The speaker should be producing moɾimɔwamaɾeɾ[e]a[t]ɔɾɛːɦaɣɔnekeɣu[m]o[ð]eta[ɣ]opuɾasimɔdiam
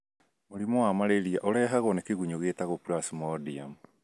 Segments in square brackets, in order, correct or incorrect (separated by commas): incorrect, incorrect, incorrect, incorrect, correct